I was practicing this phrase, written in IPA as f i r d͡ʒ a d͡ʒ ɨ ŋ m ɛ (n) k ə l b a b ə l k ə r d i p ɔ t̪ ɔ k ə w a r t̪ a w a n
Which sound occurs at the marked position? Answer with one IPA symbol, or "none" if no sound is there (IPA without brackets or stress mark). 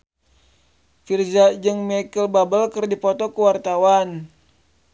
none